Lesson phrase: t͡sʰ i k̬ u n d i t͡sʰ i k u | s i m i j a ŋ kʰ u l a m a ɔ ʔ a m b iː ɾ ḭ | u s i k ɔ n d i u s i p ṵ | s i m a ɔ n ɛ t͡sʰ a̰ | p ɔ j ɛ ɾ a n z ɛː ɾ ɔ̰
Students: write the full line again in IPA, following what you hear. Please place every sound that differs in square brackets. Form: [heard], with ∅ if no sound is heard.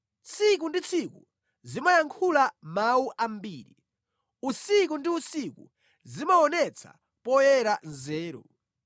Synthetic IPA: t͡sʰ i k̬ u n d i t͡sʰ i k u | [z] i m [a] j a ŋ kʰ u l a m a [u] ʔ a m b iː ɾ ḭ | u s i k [u] n d i u s i [k] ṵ | [z] i m a ɔ n ɛ t͡sʰ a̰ | p ɔ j ɛ ɾ a n z ɛː ɾ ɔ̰

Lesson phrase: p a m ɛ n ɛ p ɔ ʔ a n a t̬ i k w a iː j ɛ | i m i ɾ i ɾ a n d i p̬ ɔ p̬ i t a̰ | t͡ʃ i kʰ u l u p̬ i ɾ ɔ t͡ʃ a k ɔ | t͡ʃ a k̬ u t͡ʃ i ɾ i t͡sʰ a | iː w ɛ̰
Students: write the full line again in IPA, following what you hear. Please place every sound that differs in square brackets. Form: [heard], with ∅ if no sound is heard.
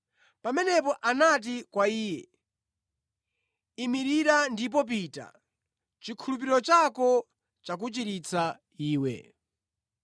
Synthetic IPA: p a m ɛ n ɛ p ɔ ʔ a n a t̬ i k w a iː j ɛ | i m i ɾ i ɾ a n d i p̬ ɔ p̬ i t a̰ | t͡ʃ i kʰ u l u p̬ i ɾ ɔ t͡ʃ a k ɔ | t͡ʃ a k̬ u t͡ʃ i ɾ i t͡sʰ a | iː w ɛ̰

